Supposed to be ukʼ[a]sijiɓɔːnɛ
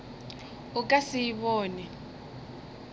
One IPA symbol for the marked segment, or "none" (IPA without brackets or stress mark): a